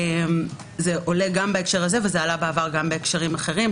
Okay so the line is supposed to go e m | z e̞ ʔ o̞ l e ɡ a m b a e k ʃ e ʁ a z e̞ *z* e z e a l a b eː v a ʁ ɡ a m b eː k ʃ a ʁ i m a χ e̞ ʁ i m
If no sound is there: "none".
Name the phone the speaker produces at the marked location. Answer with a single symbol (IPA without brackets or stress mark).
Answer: v